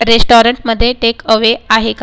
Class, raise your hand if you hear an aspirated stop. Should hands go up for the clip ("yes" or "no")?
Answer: no